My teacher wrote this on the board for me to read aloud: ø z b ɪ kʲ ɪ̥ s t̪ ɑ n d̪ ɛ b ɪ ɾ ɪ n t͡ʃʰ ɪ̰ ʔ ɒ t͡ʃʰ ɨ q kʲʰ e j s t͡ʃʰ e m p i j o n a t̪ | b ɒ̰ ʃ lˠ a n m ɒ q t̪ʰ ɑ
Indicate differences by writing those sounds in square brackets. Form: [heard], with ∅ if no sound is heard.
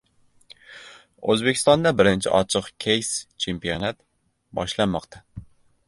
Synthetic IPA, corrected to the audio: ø z b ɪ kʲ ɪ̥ s t̪ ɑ n d̪ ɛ b ɪ ɾ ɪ n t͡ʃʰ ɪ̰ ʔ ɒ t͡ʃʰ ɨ q kʲʰ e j s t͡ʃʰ e m p i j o n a t̪ | b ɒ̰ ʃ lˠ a n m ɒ q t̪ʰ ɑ